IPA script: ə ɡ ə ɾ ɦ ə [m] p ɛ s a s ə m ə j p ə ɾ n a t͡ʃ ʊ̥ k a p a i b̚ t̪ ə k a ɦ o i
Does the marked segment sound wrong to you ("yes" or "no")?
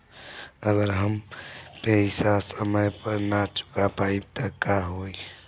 no